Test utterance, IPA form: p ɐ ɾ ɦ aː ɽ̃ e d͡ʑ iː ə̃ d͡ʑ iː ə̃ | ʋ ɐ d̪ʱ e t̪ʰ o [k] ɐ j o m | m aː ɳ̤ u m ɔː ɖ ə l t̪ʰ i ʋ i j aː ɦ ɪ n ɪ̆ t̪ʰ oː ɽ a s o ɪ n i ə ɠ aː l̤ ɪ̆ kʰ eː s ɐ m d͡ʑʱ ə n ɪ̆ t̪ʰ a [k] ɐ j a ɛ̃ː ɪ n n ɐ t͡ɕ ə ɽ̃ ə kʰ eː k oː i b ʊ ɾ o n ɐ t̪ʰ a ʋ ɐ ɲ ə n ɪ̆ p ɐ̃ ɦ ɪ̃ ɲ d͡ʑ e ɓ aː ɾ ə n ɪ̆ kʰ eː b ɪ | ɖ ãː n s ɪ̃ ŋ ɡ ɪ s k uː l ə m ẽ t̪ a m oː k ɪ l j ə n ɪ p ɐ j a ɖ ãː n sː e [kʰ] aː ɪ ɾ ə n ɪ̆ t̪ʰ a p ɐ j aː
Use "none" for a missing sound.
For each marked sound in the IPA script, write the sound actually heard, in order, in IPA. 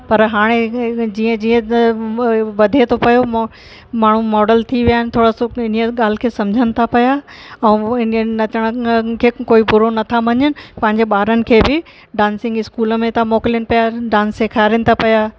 p, p, kʰ

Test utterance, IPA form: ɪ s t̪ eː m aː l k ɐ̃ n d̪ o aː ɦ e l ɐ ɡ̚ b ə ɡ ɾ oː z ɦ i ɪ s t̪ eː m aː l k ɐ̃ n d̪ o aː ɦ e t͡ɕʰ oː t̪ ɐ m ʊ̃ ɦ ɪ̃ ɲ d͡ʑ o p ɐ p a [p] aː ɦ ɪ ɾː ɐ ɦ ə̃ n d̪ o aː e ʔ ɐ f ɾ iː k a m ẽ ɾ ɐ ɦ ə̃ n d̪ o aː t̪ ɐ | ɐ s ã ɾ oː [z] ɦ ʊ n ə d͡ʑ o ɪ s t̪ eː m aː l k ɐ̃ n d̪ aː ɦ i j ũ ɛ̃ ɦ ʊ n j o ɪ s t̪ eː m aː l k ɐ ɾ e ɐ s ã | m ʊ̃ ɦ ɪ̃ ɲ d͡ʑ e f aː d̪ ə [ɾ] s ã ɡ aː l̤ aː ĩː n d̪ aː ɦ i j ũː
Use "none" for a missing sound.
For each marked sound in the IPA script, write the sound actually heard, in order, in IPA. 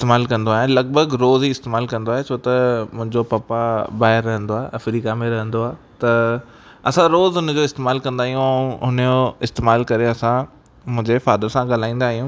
b, z, ɾ

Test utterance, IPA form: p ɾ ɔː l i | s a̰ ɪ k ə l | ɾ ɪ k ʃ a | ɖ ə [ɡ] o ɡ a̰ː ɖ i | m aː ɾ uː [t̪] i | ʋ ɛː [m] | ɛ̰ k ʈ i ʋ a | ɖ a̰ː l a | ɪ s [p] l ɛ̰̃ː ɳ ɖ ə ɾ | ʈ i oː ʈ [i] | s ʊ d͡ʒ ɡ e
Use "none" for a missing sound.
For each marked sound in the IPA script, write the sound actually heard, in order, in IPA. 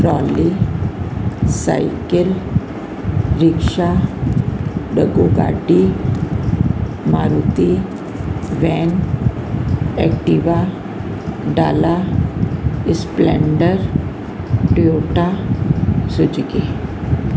ɡ, t̪, n, p, a

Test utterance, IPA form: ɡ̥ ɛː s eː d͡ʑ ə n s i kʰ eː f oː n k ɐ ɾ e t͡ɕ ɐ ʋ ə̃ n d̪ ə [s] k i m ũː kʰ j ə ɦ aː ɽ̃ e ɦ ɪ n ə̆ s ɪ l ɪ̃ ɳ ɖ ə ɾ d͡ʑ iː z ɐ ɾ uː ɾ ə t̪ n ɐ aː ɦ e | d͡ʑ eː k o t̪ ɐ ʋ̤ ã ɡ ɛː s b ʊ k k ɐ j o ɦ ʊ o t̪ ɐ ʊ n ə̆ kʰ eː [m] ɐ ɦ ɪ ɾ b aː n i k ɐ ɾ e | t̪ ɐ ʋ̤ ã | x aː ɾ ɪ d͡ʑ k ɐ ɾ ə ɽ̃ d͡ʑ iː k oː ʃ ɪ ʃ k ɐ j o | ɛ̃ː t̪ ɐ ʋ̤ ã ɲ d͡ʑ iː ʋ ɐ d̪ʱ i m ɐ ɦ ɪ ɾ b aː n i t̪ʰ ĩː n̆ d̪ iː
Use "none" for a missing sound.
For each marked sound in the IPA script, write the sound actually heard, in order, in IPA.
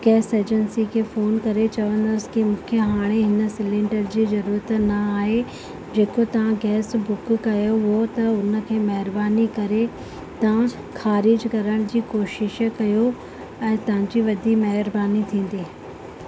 s, m

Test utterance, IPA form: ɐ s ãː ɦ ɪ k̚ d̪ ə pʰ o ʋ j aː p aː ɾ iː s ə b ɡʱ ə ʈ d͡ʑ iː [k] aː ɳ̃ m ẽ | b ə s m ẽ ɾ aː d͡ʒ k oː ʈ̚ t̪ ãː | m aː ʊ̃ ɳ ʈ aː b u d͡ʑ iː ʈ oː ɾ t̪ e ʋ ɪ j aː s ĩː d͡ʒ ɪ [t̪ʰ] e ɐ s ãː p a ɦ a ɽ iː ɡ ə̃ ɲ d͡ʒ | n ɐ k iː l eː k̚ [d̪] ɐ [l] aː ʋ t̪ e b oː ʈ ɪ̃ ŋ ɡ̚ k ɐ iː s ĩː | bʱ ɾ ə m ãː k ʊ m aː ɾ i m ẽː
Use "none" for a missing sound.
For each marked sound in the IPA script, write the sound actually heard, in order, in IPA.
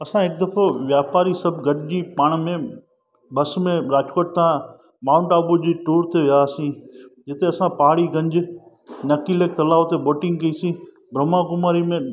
p, t̪, t̪, l

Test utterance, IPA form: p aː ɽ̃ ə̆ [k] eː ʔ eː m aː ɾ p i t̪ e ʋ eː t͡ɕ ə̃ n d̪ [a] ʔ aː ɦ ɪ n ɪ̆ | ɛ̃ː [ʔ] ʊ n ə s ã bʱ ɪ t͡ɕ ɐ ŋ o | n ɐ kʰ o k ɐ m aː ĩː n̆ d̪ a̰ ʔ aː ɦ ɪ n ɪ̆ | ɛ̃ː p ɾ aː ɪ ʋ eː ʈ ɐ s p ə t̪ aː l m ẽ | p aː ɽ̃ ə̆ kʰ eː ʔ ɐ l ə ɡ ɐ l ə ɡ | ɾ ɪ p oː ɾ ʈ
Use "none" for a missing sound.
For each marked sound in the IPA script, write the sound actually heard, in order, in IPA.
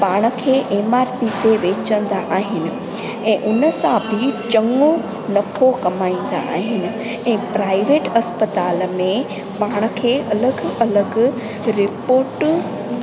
kʰ, a, ʔ

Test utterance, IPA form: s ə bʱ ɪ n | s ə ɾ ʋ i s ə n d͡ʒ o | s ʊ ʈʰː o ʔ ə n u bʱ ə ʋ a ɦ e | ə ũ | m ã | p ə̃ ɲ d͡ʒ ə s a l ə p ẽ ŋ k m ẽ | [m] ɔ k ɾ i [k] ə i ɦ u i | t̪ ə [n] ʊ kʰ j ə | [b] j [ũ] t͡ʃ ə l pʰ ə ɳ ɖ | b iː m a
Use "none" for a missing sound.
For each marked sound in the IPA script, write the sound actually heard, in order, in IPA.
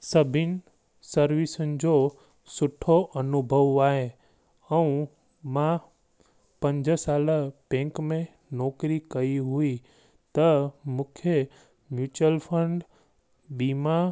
n, k, m, m, u

